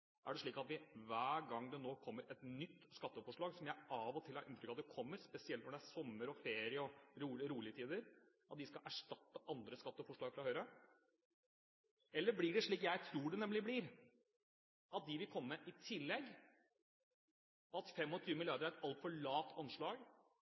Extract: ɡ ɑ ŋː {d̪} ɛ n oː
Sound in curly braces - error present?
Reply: no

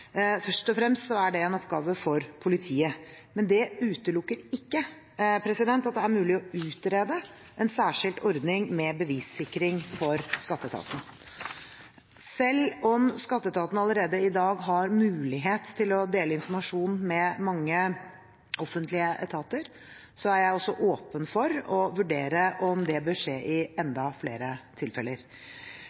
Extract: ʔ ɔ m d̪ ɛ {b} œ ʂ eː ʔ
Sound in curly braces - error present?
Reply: no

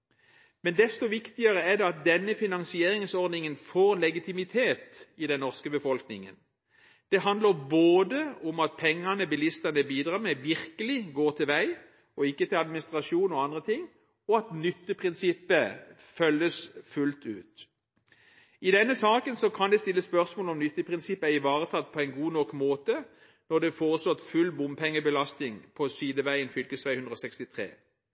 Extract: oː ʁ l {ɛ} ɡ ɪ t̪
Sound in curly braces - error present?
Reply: no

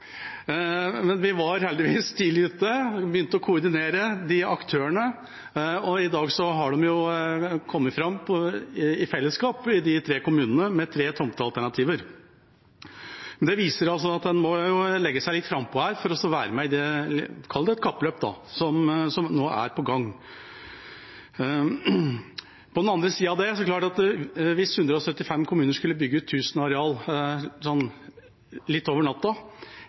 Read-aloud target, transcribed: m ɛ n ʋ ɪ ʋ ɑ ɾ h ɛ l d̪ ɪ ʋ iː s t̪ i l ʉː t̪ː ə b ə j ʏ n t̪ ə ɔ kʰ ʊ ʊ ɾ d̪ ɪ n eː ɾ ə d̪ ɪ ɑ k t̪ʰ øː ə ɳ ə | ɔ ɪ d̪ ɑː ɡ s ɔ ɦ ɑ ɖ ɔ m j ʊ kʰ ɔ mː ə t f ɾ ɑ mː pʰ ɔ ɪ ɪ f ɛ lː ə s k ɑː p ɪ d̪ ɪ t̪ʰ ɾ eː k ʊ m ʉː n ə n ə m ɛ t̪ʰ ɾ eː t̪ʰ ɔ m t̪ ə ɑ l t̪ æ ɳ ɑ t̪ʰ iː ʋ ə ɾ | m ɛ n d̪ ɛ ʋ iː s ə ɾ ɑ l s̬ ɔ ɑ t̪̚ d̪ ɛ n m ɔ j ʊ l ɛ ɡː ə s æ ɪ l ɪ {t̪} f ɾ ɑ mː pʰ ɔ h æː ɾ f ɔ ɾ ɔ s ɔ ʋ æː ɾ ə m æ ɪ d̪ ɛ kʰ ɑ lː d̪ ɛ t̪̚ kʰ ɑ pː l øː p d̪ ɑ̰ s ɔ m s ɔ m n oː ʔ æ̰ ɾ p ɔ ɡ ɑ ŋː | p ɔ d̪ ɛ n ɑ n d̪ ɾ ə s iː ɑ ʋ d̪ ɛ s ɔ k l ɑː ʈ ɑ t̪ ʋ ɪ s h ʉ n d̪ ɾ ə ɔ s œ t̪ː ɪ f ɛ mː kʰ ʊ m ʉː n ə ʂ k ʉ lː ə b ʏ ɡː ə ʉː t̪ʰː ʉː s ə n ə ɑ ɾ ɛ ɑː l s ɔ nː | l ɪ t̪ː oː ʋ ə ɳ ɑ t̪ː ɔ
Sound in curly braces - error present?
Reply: no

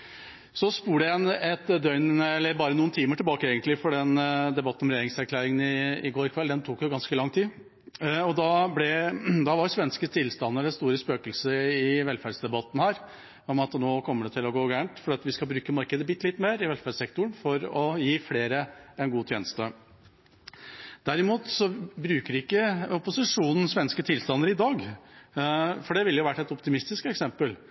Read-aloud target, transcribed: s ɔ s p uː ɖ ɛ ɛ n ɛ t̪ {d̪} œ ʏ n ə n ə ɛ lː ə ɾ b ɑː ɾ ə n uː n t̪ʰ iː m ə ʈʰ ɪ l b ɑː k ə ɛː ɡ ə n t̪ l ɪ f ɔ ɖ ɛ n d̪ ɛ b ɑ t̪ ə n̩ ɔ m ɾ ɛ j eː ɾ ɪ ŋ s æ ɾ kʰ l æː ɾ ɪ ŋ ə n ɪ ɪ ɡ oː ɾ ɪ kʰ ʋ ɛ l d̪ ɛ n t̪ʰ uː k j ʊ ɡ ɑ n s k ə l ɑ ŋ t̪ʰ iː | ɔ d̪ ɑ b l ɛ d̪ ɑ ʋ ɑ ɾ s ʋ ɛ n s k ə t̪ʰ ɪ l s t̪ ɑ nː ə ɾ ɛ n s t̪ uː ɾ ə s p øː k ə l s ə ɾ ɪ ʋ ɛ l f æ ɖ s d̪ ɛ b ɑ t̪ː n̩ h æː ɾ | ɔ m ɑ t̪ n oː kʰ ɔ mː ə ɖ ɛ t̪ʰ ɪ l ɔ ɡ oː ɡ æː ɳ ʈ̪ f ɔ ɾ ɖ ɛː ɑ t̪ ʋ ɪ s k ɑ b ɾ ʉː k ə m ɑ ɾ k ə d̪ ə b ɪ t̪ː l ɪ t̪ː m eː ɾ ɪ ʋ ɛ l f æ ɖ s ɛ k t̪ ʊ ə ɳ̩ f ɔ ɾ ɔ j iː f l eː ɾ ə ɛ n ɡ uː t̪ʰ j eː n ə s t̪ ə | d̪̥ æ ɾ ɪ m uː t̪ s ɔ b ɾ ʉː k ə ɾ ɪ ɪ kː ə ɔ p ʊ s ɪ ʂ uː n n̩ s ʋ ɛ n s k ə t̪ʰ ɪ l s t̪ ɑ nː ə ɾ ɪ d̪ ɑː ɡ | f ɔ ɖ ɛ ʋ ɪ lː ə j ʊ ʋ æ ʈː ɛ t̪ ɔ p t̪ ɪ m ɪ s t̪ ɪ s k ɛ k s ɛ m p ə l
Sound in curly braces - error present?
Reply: no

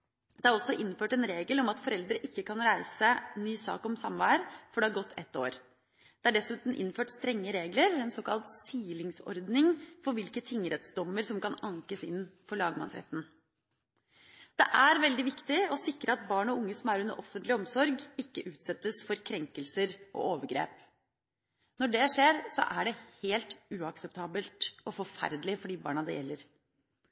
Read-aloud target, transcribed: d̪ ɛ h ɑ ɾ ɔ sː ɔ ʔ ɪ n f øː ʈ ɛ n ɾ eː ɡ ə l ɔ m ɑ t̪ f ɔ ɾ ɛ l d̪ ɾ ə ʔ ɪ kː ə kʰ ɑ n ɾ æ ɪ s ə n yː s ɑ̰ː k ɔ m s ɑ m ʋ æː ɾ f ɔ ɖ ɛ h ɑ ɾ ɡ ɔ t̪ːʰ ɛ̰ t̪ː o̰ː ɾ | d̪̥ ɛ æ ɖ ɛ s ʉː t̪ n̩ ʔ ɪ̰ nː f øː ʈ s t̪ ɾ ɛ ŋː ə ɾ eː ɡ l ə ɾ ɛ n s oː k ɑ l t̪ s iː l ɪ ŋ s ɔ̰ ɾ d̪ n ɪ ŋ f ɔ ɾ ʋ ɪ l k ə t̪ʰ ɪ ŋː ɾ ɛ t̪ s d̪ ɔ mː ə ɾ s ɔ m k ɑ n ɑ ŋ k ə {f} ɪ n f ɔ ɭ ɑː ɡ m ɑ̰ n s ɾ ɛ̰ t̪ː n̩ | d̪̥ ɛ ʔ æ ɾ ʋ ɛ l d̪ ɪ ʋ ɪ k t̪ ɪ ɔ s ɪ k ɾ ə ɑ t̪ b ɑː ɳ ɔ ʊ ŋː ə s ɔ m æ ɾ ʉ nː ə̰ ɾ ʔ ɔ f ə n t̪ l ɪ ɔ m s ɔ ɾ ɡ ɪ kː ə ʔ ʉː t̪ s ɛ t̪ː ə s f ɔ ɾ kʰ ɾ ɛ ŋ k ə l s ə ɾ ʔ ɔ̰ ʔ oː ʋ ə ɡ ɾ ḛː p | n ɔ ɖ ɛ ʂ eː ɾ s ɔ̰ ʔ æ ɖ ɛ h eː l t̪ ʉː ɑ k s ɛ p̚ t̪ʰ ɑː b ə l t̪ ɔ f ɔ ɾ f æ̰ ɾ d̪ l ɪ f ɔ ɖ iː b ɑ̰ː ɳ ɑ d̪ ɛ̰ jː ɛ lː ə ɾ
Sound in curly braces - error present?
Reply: yes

